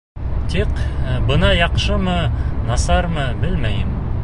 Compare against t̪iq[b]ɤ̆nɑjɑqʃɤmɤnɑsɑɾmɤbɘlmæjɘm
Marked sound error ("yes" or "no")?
no